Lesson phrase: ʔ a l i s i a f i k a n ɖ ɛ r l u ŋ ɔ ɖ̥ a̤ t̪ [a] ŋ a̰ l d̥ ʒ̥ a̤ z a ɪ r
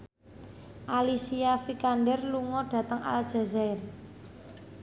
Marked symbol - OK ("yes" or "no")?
no